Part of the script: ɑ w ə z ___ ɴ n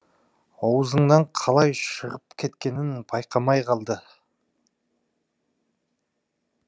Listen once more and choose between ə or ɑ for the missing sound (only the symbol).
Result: ə